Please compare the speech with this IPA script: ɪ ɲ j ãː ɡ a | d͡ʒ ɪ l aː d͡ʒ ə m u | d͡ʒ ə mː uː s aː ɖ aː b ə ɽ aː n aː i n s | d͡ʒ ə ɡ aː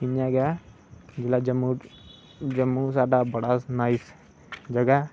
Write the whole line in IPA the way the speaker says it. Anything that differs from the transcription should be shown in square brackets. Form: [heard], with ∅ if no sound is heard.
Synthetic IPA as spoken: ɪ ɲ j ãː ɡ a | d͡ʒ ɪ l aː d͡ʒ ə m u | d͡ʒ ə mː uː s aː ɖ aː b ə ɽ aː n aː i [∅] s | d͡ʒ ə ɡ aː